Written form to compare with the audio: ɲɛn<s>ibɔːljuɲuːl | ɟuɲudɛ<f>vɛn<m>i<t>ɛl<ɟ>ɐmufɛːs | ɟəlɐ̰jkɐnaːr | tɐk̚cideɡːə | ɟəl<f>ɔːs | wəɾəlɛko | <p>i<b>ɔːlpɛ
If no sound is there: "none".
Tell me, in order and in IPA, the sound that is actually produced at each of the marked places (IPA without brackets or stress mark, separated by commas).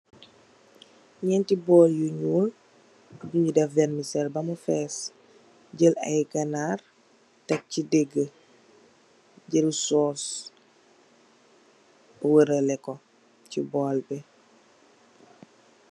t, f, m, s, b, s, c, b